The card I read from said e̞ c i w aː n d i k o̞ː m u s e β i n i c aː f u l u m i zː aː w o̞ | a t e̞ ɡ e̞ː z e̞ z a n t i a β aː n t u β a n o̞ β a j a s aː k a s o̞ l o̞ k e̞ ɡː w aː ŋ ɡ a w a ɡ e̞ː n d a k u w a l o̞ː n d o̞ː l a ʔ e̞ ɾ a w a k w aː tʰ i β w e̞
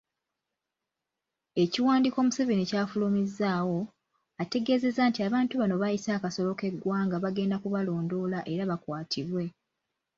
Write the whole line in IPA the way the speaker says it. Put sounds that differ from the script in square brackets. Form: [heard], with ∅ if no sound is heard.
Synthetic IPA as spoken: e̞ c i w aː n d i k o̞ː m u s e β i n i c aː f u l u m i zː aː w o̞ | a t e̞ ɡ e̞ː z e̞ z a n t i a β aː n t u β a n o̞ β a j [i] s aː k a s o̞ l o̞ k e̞ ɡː w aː ŋ ɡ a [β] a ɡ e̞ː n d a k u [β] a l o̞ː n d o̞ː l a ʔ e̞ ɾ a [β] a k w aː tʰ i β w e̞

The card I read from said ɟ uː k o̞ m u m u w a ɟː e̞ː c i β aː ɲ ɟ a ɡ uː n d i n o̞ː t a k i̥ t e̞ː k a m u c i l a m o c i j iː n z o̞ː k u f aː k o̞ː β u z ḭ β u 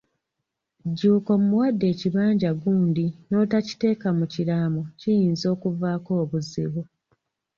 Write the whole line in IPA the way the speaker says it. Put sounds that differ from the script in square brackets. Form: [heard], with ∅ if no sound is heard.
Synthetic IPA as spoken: ɟ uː k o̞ m u m u w a [dː] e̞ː c i β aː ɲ ɟ a ɡ uː n d i n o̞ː t a [c] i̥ t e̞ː k a m u c i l a m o c i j iː n z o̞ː k u [v] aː k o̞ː β u z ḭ β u

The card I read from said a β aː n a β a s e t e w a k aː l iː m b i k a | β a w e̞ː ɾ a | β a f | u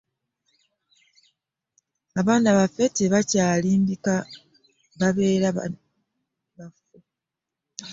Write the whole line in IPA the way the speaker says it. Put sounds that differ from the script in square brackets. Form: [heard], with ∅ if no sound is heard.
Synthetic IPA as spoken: a β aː n a β a [f] e t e [β] a [c] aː l iː m b i k a | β a [β] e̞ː ɾ a | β a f | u

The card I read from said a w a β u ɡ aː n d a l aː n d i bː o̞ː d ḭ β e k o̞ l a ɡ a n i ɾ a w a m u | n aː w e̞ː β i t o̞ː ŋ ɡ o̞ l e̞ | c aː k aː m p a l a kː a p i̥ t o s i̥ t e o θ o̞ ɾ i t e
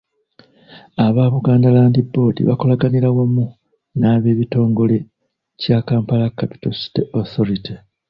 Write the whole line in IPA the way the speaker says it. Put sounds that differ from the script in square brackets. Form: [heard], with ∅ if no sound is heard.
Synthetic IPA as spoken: a [β] a β u ɡ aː n d a l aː n d i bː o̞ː d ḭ β [a] k o̞ l a ɡ a n i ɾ a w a m u | n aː [β] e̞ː β i t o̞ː ŋ ɡ o̞ l e̞ | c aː k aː m p a l a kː a p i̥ t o s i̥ t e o θ o̞ ɾ i t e

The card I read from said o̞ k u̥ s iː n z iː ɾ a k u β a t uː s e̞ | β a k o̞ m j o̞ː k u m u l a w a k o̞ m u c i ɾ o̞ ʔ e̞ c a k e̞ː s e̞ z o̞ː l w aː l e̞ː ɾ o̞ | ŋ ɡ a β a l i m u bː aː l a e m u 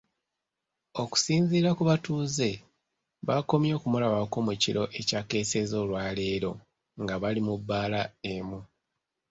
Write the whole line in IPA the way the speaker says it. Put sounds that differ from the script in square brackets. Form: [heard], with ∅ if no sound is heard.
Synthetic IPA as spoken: o̞ k u̥ s iː n z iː ɾ a k u β a t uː [z] e̞ | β a k o̞ m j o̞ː k u m u l a [β] a k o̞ m u c i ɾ o̞ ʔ e̞ c a k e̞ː s e̞ z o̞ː l w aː l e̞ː ɾ o̞ | ŋ ɡ a β a l i m u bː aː l a e m u

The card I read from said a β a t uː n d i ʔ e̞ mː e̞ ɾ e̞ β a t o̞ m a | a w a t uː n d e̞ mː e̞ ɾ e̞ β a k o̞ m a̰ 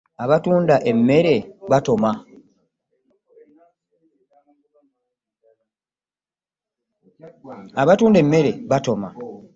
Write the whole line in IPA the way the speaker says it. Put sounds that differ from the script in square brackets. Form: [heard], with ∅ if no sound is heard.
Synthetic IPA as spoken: a β a t uː n d [a] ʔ e̞ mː e̞ ɾ e̞ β a t o̞ m a | a [β] a t uː n d e̞ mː e̞ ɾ e̞ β a [t] o̞ m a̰

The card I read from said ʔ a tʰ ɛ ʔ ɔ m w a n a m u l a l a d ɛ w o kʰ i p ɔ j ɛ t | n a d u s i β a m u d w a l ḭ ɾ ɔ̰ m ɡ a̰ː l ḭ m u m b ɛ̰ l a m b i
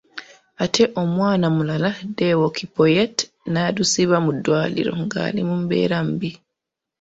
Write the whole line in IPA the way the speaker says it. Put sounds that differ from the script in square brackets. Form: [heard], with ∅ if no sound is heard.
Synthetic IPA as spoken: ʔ a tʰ ɛ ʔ ɔ m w a n a m u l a l a d ɛ w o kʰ i p ɔ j ɛ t | n a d u s i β a m u d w a l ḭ ɾ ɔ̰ [ŋ] ɡ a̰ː l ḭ m u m b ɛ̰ [ɾ] a m b i

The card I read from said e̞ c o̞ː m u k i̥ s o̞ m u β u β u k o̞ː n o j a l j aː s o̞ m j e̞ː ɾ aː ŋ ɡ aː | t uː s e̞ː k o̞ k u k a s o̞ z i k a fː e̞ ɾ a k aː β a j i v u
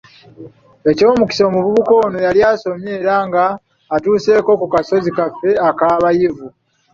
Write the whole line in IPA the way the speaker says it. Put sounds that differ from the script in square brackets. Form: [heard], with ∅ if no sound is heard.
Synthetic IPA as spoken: e̞ c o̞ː m u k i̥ s o̞ m u β u β u k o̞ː n o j a l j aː s o̞ m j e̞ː ɾ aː ŋ ɡ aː | t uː s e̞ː k o̞ k u k a s o̞ z i k a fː e̞ [∅] a k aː β a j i v u

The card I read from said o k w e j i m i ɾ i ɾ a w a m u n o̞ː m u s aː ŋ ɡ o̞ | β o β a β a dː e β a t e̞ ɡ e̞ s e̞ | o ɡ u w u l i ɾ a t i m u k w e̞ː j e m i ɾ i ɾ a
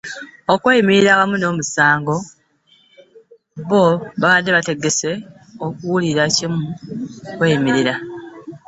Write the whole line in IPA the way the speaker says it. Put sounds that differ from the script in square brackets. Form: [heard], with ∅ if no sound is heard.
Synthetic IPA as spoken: o k w e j i m i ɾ i ɾ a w a m u n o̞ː m u s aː ŋ ɡ o̞ | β o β a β a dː e β a t e̞ ɡ e̞ s e̞ | o [k] u w u l i ɾ a [c] i m u k w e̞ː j [i] m i ɾ i ɾ a

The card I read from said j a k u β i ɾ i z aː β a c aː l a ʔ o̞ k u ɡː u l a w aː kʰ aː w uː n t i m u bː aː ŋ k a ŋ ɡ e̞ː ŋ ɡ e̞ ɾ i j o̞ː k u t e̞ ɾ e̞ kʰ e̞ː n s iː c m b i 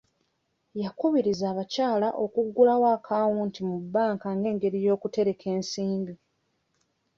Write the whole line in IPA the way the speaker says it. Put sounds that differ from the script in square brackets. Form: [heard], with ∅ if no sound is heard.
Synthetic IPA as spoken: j a k u β i ɾ i z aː β a c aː l a ʔ o̞ k u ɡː u l a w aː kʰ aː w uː n t i m u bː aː ŋ k a ŋ ɡ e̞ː ŋ ɡ e̞ ɾ i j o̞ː k u t e̞ ɾ e̞ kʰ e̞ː n s iː [∅] m b i

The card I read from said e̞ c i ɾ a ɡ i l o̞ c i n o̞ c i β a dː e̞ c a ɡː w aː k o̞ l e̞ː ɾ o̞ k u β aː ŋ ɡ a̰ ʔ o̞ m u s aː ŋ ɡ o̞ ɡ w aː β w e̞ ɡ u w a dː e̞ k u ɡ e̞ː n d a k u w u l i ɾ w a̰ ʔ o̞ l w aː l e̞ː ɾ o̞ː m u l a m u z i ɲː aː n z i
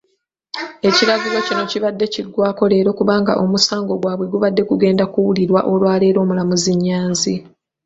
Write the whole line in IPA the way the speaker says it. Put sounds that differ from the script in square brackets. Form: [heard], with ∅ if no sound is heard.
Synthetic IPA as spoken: e̞ c i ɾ a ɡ i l o̞ c i n o̞ c i β a dː e̞ c [i] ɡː w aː k o̞ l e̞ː ɾ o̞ k u β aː ŋ ɡ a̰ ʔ o̞ m u s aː ŋ ɡ o̞ ɡ w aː β w e̞ ɡ u [β] a dː e̞ k u ɡ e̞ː n d a k u w u l i ɾ w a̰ ʔ o̞ l w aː l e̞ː ɾ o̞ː m u l a m u z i ɲː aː n z i

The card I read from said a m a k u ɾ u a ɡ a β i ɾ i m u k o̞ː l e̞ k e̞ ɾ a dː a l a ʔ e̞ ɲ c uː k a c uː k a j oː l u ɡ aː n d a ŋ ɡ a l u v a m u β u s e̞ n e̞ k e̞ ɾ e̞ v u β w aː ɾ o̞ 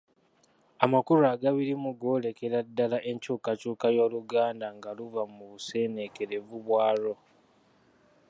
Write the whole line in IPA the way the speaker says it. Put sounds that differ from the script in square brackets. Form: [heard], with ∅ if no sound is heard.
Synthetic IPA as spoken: a m a k u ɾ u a ɡ a β i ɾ i m u [ɡ] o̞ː l e̞ k e̞ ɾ a dː a l a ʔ e̞ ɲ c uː k a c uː k a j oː l u ɡ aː n d a ŋ ɡ a l u v a m u β u s e̞ n e̞ k e̞ ɾ e̞ v u β w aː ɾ o̞

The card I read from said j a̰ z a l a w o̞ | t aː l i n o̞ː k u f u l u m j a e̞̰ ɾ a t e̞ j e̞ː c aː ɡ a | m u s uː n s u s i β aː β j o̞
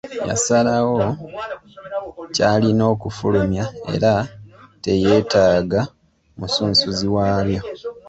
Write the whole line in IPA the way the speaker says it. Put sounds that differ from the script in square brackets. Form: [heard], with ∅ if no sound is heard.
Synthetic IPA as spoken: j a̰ [s] a l a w o̞ | [c] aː l i n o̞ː k u f u l u m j a e̞̰ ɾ a t e̞ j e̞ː [t] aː ɡ a | m u s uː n s u [z] i [w] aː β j o̞

